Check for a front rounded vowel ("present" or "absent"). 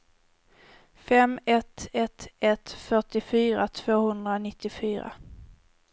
present